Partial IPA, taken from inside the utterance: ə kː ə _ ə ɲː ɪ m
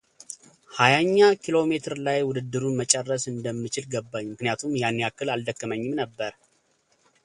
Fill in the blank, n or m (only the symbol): m